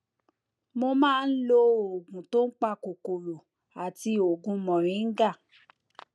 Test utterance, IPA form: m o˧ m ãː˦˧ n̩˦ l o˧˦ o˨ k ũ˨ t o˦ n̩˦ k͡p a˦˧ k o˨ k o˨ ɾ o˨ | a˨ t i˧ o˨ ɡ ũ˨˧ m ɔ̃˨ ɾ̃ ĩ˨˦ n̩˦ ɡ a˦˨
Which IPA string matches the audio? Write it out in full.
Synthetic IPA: m o˧ m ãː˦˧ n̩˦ l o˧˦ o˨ ɡ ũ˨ t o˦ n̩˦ k͡p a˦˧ k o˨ k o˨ ɾ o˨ | a˨ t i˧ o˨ ɡ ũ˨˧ m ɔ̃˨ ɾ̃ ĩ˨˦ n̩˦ ɡ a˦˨